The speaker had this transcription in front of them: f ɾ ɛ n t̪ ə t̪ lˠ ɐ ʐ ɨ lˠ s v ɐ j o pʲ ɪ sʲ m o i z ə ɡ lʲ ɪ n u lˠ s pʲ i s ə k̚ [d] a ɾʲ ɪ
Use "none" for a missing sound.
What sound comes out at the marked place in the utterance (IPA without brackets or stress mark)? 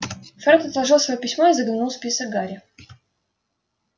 ɡ